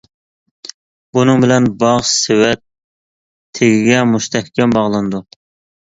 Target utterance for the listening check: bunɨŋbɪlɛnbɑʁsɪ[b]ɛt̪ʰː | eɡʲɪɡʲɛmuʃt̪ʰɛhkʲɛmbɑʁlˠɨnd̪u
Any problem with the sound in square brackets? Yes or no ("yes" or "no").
yes